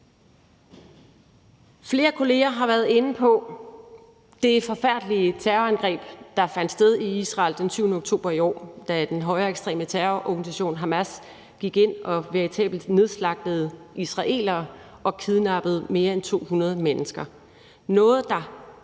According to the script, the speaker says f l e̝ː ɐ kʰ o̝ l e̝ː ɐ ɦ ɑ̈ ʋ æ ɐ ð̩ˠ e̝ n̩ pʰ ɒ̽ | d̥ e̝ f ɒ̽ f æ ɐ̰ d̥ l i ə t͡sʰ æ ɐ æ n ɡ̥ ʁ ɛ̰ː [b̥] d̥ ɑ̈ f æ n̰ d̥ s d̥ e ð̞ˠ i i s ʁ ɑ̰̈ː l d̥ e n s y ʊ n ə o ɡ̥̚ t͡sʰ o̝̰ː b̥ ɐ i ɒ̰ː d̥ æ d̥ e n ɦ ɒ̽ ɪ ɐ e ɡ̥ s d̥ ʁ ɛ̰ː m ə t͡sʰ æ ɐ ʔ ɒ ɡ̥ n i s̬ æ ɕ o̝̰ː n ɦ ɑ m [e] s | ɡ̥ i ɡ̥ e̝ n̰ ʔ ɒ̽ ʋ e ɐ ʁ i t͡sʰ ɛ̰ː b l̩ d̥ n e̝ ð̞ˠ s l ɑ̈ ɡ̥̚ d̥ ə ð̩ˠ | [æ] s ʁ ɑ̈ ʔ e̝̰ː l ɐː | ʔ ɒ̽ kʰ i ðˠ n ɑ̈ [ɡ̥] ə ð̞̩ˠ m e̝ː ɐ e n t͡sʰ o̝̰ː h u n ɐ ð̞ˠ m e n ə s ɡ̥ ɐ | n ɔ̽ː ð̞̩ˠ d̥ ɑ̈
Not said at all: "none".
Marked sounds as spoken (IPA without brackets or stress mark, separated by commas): b̥, æ, i, b̥